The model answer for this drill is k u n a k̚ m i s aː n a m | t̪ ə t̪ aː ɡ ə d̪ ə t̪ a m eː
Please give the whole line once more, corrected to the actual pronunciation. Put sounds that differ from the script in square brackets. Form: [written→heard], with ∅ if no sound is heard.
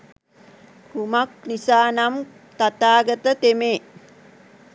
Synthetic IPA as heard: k u [n→m] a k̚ [m→n] i s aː n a m | t̪ [ə→a] t̪ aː ɡ ə [d̪→t̪] ə t̪ [a→e] m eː

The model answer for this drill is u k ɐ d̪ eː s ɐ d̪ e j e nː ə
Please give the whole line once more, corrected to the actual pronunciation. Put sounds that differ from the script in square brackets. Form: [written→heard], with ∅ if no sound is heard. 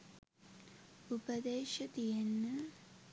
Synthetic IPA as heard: u [k→p] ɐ d̪ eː [s→ʃ] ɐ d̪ [e→i] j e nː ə

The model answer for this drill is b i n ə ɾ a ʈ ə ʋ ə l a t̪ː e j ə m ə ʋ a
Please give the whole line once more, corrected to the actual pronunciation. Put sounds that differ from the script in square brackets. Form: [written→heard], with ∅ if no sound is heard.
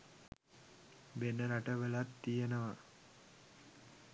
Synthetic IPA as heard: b [i→e] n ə ɾ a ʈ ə ʋ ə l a t̪ː [e→i] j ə [m→n] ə ʋ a

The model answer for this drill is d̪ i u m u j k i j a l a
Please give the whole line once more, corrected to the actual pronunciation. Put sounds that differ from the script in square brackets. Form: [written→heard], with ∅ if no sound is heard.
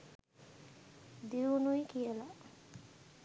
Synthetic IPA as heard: d̪ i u [m→n] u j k i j [a→ə] l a

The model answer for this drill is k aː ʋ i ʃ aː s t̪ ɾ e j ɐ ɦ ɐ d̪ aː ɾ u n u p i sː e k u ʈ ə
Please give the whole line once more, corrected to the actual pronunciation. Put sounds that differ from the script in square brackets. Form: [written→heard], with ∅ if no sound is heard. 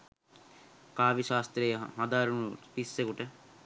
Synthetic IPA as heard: k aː ʋ i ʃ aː s t̪ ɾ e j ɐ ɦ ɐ d̪ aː ɾ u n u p i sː e k u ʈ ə

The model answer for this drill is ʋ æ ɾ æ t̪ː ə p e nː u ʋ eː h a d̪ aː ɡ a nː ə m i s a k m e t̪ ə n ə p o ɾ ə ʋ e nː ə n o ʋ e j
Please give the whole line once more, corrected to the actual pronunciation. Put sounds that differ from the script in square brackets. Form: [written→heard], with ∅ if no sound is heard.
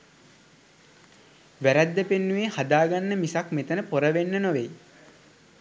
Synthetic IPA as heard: ʋ æ ɾ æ [t̪ː→d̪ː] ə p e nː u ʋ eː h a d̪ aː ɡ a nː ə m i s a k m e t̪ ə n ə p o ɾ ə ʋ e nː ə n o ʋ e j

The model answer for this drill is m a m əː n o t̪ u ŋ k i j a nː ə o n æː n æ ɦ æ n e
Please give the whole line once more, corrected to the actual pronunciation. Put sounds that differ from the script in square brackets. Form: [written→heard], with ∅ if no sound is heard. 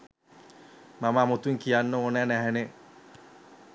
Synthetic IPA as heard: m a m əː [n→m] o t̪ u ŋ k i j a nː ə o n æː n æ ɦ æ n e

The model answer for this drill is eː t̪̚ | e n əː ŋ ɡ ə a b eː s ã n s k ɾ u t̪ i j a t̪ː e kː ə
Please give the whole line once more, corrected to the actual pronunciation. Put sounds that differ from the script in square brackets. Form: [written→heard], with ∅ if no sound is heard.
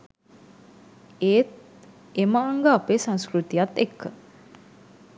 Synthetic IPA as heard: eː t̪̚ | e [n→m] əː ŋ ɡ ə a [b→p] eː s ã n s k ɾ u t̪ i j a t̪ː e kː ə

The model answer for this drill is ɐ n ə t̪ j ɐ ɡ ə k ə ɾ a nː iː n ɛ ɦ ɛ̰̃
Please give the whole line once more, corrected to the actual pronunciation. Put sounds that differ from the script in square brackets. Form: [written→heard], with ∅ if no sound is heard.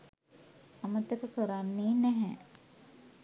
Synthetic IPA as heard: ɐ [n→m] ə t̪ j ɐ [ɡ→k] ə k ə ɾ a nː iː n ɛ ɦ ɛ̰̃

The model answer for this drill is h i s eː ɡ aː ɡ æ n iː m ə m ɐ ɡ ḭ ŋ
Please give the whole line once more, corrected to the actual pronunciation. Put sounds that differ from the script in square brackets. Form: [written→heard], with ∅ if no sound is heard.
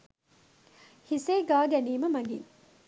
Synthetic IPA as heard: h i s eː ɡ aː ɡ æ n iː m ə m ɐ ɡ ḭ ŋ

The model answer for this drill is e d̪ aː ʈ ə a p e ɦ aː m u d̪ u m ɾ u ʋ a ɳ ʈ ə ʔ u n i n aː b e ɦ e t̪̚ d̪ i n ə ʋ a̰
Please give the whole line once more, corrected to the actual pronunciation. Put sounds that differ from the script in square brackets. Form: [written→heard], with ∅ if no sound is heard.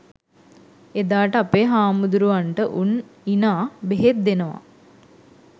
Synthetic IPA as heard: e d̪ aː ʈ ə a p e ɦ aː m u d̪ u [m→∅] ɾ u ʋ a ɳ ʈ ə ʔ u n i n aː b e ɦ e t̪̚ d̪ [i→e] n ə ʋ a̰

